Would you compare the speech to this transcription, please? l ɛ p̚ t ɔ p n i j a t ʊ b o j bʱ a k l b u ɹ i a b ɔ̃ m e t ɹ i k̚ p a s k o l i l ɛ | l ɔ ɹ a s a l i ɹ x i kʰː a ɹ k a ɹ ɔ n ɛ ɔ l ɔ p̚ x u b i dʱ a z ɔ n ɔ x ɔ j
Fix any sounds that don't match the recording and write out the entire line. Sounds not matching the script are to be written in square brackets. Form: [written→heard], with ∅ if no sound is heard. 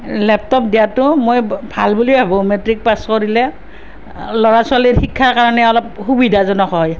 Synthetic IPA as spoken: l ɛ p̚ t ɔ p [n→d] i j a t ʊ [b→m] o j bʱ a [k→∅] l b u [ɹ→l] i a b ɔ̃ m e t ɹ i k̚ p a s k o [l→ɹ] i l ɛ | l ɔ ɹ a s a l i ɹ x i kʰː a ɹ k a ɹ ɔ n ɛ ɔ l ɔ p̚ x u b i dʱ a z ɔ n ɔ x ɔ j